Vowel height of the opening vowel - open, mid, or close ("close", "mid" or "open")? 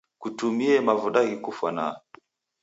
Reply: close